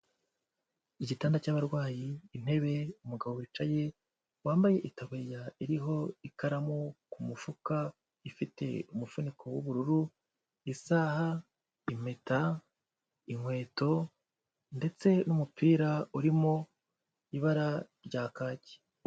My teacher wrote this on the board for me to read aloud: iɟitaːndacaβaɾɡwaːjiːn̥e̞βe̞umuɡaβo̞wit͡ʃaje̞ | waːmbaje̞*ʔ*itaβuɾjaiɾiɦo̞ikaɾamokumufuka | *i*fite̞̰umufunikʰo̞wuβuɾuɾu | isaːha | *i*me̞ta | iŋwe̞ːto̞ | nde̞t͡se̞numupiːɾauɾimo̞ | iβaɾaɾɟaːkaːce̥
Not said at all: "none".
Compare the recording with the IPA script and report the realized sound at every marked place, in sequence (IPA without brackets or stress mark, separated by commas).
ʔ, i, i